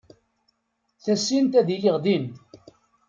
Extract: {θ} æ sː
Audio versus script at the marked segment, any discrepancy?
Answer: no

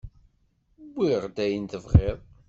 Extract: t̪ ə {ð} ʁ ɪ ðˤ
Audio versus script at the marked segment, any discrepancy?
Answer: yes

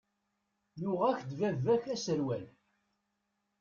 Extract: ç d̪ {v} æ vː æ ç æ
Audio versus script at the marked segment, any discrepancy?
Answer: no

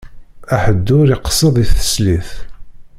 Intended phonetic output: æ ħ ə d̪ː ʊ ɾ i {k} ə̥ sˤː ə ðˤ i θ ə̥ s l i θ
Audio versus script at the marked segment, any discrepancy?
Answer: yes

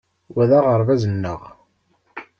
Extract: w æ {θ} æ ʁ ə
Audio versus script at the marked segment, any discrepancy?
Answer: yes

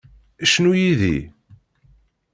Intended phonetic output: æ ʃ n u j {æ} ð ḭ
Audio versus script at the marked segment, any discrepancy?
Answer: yes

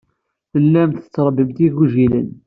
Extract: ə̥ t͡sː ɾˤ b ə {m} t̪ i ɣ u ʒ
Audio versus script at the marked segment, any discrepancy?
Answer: no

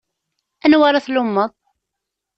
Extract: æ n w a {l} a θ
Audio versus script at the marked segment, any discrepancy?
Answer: yes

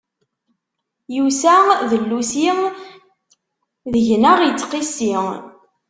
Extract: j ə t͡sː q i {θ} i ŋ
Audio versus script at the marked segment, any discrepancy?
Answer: yes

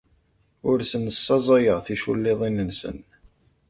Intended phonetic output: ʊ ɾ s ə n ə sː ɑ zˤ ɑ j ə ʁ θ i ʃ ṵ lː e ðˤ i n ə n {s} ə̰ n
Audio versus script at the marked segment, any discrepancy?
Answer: no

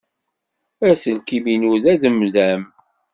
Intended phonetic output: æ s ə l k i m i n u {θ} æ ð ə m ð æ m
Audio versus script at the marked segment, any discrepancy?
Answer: yes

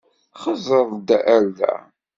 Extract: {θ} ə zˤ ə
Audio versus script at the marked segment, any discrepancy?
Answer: yes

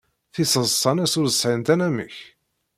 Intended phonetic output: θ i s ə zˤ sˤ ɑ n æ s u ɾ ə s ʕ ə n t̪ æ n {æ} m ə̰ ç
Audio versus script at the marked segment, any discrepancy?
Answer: no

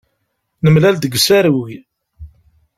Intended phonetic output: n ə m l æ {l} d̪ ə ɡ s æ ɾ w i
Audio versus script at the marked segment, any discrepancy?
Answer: no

